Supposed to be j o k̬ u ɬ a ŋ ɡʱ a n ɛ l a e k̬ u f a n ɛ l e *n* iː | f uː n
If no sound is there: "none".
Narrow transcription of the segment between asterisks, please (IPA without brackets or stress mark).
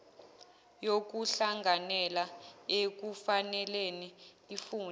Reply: n